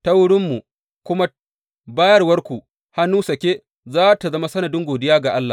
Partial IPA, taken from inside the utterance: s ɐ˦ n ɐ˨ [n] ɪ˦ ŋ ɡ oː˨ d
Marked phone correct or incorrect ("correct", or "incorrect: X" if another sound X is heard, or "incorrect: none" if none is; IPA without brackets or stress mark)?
incorrect: d